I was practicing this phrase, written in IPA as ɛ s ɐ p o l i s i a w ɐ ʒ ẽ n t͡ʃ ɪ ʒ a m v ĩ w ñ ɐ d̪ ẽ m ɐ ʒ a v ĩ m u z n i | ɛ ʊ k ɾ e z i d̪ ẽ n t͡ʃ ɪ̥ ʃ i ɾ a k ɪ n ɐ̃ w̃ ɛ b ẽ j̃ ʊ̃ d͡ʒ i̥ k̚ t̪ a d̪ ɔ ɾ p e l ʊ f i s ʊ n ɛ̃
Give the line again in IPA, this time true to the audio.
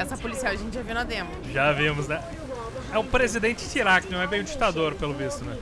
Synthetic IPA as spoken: ɛ s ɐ p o l i s i a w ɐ ʒ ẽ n t͡ʃ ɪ ʒ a v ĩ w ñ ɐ d̪ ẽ m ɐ ʒ a v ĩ m ʊ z n ɛ | ɛ ʊ p ɾ e z i d̪ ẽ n t͡ʃ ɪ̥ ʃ i ɾ a k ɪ n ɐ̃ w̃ ɛ b ẽ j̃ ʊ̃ d͡ʒ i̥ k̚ t̪ a d̪ o ɾ p e l ʊ v i s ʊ n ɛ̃